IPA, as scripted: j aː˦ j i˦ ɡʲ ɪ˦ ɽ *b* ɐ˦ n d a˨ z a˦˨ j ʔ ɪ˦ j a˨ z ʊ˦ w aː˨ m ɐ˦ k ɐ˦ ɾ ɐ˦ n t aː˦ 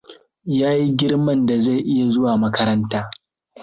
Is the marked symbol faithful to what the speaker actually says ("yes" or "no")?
no